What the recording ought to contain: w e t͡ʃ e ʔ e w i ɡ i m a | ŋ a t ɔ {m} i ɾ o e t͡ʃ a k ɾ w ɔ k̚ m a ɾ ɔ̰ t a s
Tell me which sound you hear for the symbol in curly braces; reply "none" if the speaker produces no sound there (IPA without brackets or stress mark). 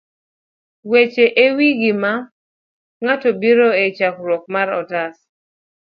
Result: b